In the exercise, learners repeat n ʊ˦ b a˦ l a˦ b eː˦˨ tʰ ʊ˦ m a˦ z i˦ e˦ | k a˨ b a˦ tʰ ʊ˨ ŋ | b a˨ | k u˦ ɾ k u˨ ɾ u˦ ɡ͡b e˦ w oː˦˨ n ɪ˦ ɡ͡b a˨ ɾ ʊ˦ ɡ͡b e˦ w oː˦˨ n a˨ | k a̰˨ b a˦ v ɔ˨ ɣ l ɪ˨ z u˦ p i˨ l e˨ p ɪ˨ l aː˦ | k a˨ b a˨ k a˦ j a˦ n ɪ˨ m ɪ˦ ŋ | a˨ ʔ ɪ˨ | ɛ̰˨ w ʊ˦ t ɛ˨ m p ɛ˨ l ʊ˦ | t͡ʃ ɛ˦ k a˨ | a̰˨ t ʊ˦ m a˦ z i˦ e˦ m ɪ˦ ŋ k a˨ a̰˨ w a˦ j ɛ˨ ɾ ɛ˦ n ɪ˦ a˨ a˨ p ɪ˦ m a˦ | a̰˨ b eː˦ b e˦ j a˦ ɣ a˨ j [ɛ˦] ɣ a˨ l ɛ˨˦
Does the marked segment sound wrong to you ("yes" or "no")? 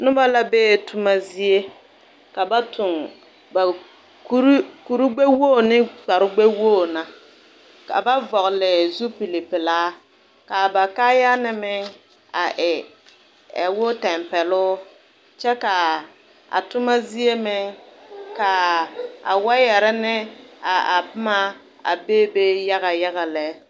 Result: yes